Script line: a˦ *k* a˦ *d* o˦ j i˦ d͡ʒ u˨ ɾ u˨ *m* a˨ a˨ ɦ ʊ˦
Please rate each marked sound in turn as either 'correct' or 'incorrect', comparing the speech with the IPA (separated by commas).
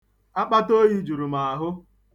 incorrect, incorrect, correct